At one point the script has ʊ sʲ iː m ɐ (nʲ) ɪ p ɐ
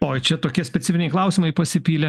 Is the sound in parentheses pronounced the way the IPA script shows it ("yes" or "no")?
no